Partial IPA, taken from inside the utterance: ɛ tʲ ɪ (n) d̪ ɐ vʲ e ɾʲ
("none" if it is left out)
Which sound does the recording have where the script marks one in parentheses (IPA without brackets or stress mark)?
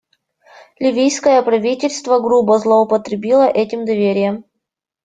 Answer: m